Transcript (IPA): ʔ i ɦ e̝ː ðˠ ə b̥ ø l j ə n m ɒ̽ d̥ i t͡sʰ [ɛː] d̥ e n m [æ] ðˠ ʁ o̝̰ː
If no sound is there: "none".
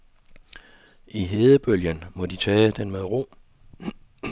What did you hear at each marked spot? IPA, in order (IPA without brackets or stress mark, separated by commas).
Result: ɛː, e